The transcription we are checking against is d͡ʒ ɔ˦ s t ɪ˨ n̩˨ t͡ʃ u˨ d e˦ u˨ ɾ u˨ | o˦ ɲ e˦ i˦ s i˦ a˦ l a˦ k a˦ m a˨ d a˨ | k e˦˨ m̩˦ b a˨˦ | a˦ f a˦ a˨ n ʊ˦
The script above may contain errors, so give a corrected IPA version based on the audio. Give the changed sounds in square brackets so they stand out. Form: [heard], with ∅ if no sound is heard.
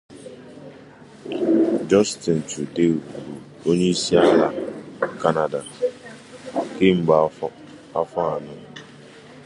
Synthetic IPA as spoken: d͡ʒ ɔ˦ s t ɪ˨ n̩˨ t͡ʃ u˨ d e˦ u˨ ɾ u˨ | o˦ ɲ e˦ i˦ s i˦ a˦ l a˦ k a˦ [n] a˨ d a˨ | k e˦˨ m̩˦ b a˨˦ | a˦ f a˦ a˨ n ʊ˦